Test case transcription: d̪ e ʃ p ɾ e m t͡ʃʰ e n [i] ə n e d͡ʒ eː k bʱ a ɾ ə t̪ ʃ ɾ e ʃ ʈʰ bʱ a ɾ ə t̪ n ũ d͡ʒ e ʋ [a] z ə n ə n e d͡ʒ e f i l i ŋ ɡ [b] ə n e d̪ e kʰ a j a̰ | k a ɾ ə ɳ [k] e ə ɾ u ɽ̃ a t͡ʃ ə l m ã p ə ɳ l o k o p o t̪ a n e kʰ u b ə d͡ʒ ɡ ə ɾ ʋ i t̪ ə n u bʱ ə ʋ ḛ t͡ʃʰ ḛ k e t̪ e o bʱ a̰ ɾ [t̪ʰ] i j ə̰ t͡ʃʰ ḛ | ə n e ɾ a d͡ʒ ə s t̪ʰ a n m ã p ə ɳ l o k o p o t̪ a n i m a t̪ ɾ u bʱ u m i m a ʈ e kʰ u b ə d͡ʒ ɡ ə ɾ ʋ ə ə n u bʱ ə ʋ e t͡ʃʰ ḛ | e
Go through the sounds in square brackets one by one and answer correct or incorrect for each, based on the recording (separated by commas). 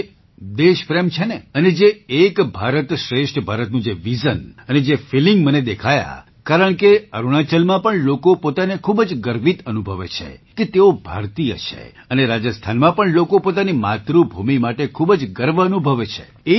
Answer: incorrect, incorrect, incorrect, correct, incorrect